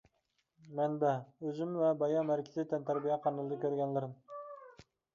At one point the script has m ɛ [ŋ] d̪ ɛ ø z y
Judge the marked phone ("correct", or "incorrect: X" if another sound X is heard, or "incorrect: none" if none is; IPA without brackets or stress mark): incorrect: n